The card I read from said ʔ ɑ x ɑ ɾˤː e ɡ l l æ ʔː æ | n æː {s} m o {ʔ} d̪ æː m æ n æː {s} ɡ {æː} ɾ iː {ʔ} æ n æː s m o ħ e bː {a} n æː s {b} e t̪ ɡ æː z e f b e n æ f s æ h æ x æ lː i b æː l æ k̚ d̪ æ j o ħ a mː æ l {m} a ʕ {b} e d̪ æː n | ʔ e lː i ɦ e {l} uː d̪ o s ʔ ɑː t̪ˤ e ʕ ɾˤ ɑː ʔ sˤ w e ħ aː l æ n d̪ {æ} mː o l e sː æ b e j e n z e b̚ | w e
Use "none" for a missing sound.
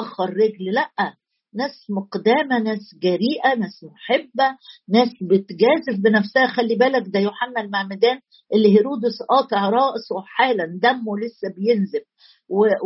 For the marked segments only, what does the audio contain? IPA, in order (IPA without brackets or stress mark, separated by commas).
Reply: s, q, s, æ, ʔ, æ, b, m, m, ɾ, æ